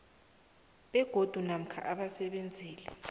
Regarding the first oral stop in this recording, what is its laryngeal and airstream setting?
implosive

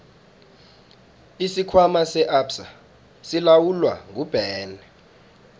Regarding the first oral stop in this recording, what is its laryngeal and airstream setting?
aspirated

